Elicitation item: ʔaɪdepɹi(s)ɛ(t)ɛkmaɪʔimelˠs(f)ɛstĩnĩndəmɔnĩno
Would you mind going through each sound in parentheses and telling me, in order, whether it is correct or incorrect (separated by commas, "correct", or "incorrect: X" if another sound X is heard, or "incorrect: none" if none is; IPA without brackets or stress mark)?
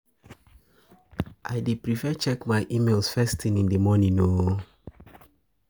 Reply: incorrect: f, incorrect: t͡ʃ, correct